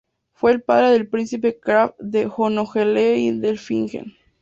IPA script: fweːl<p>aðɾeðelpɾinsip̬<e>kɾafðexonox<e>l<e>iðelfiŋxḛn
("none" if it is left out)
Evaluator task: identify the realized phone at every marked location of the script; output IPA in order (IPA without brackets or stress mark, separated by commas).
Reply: p, e, e, e